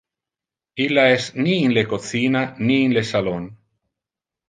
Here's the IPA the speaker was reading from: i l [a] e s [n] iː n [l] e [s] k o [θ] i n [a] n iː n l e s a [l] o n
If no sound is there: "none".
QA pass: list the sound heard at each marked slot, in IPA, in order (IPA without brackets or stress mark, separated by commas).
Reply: a, n, l, none, θ, a, l